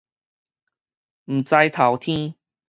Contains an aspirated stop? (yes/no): yes